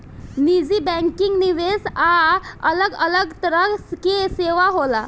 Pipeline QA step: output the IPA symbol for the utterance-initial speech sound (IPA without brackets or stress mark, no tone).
n